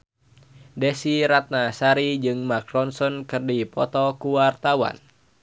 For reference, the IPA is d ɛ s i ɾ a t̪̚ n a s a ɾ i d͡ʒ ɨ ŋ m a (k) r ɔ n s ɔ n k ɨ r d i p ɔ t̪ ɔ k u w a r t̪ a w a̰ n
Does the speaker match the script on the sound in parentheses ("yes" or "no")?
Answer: yes